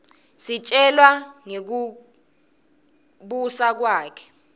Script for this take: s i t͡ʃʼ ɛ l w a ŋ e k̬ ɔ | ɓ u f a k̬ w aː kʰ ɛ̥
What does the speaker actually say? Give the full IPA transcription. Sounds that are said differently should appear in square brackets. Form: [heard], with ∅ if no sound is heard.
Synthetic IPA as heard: s i t͡ʃʼ ɛ l w a ŋ e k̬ [u] | ɓ u [s] a k̬ w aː kʰ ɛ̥